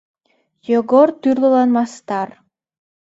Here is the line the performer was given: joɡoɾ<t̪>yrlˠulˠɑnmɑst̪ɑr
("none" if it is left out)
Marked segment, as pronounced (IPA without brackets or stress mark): t̪